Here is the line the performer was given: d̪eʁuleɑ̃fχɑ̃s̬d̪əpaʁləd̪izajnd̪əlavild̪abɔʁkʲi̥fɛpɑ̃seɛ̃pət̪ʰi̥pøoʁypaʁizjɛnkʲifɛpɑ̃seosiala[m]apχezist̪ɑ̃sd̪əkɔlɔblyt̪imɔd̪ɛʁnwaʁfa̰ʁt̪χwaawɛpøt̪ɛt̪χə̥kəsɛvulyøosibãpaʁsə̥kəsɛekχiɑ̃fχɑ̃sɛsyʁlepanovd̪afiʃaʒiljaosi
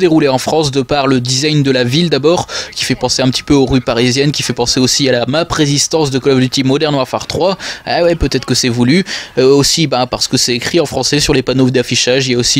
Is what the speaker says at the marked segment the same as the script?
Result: yes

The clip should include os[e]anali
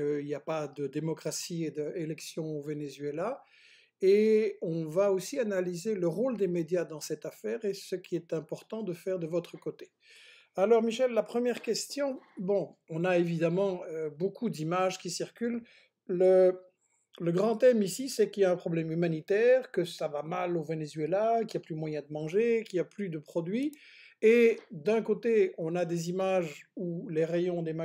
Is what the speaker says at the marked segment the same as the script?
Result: no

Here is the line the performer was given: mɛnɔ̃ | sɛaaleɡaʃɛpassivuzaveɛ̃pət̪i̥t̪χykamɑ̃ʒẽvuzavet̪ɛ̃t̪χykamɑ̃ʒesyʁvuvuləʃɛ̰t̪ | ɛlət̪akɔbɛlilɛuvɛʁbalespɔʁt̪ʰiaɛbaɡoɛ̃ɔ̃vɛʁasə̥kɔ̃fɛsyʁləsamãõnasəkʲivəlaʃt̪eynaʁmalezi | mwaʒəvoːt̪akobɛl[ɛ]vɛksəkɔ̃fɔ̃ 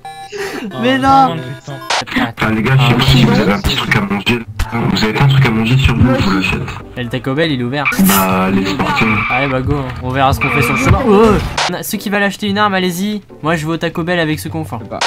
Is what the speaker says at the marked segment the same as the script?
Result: no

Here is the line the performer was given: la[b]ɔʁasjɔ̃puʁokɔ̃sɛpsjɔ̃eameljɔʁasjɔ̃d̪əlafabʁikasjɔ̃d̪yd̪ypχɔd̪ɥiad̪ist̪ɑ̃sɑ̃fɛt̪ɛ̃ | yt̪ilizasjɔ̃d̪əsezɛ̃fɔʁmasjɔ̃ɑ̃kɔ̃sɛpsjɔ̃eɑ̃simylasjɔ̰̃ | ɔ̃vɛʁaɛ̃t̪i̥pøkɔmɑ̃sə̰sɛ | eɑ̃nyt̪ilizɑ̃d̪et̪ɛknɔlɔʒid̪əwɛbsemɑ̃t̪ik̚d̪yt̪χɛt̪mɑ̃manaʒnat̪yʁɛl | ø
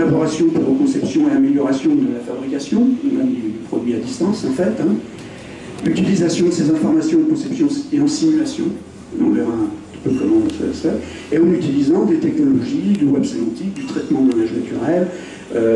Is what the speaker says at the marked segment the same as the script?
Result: yes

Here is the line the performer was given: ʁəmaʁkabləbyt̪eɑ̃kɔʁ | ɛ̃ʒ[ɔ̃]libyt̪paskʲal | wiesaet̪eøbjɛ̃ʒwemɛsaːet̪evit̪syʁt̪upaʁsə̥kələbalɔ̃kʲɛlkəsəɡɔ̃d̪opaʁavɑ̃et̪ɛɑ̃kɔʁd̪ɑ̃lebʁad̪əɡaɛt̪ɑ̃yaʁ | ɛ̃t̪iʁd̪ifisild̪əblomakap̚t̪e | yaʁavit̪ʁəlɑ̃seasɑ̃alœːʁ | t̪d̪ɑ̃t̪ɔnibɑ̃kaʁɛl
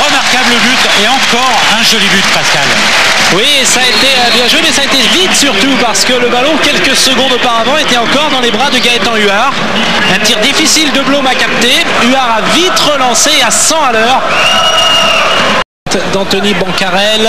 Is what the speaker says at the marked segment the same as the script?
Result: no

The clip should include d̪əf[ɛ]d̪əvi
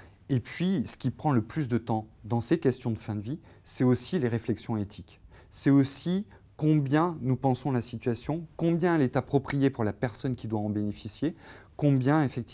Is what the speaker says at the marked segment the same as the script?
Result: no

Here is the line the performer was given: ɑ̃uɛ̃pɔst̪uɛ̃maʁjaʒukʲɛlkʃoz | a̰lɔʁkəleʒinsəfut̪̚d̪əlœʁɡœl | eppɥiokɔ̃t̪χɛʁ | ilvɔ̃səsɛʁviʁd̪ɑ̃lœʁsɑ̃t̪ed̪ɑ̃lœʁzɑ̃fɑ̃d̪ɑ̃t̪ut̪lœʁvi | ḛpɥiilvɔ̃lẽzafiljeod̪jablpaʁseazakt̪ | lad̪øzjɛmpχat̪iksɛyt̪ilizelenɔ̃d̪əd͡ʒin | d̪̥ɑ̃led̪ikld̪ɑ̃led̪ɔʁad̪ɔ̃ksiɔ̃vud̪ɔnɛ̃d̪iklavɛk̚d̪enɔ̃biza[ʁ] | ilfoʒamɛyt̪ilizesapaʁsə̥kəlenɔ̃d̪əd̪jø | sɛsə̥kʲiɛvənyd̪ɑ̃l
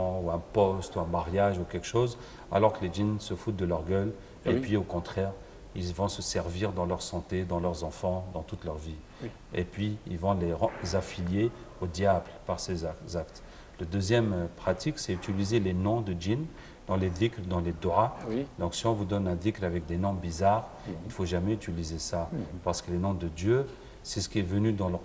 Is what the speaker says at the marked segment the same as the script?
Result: yes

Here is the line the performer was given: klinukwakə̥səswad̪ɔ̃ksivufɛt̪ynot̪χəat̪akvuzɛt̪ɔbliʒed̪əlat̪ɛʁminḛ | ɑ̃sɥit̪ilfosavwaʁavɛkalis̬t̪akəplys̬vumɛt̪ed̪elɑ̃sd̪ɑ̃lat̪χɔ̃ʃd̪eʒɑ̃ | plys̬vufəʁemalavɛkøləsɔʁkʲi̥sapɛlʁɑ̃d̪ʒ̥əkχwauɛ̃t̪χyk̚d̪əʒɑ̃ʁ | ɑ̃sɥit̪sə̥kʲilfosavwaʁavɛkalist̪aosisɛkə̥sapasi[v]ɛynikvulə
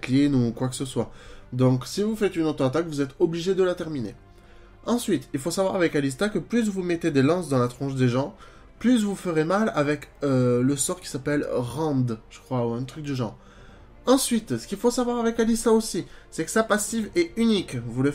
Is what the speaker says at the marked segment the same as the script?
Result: yes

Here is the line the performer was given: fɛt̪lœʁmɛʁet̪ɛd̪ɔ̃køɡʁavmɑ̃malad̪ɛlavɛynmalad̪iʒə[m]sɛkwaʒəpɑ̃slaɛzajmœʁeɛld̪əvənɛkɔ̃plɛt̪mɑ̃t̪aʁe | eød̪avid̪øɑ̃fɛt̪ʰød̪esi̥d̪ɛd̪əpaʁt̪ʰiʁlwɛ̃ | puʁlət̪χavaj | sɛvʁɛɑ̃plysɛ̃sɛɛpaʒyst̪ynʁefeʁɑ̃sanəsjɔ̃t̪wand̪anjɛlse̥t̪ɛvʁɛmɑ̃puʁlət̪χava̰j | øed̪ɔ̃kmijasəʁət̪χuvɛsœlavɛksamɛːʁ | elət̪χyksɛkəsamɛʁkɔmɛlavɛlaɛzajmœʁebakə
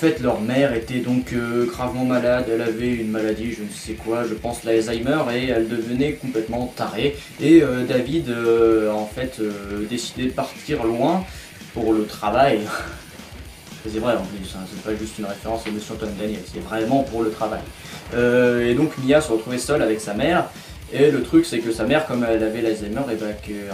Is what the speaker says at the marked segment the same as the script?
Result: no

